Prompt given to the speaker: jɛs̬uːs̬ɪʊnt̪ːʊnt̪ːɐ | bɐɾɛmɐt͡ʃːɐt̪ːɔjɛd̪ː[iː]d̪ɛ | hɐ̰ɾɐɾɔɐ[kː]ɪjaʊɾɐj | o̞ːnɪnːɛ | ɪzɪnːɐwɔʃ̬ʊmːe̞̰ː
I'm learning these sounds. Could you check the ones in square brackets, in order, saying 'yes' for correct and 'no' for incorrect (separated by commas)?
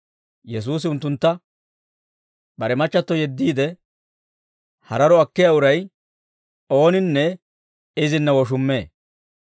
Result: yes, yes